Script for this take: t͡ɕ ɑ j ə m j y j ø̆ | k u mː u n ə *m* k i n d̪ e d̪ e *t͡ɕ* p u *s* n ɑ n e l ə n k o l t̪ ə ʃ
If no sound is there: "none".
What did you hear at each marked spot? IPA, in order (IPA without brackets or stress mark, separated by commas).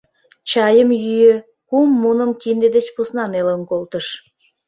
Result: m, t͡ɕ, s